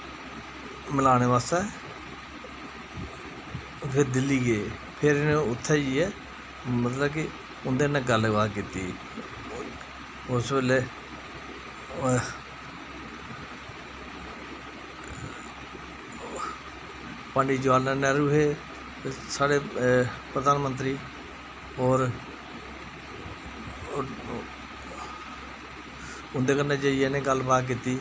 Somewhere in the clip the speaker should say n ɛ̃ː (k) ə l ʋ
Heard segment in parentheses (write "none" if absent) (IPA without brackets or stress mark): ɡ